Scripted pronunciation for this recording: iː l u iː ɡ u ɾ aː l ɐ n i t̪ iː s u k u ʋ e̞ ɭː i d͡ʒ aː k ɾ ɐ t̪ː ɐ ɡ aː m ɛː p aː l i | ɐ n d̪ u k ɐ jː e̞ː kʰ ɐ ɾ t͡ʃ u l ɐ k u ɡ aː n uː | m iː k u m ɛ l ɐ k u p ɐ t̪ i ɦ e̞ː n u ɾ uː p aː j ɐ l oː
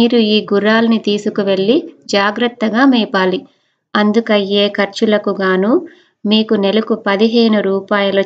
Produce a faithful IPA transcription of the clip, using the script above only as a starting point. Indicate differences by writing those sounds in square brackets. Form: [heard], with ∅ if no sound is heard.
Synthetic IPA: iː [ɾ] u iː ɡ u ɾ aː l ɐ n i t̪ iː s u k u ʋ e̞ ɭː i d͡ʒ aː [ɡ] ɾ ɐ t̪ː ɐ ɡ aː m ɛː p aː l i | ɐ n d̪ u k ɐ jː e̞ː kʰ ɐ ɾ t͡ʃ u l ɐ k u ɡ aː n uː | m iː k u [n] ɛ l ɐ k u p ɐ [d̪] i ɦ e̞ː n u ɾ uː p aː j ɐ l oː